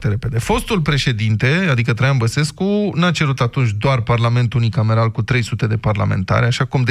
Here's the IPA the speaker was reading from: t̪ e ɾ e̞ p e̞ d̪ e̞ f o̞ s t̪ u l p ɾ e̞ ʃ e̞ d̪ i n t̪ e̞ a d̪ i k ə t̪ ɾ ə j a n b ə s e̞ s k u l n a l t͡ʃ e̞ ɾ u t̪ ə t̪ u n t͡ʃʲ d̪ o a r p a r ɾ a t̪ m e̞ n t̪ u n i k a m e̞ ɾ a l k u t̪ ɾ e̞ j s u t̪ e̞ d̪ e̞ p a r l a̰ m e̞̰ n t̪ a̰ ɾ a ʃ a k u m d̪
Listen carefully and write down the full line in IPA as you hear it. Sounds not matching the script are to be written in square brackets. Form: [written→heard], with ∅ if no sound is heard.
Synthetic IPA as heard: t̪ e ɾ e̞ p e̞ d̪ e̞ f o̞ s t̪ u l p ɾ e̞ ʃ e̞ d̪ i n t̪ e̞ a d̪ i k ə t̪ ɾ [ə→a] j a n b ə s e̞ s k u [l→∅] n a [l→∅] t͡ʃ e̞ ɾ u t̪ [ə→a] t̪ u n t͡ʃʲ d̪ o a r p a r [ɾ→l] a [t̪→∅] m e̞ n t̪ u n i k a m e̞ ɾ a l k u t̪ ɾ e̞ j s u t̪ e̞ d̪ e̞ p a r l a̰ m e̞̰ n t̪ a̰ ɾ a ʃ a k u m d̪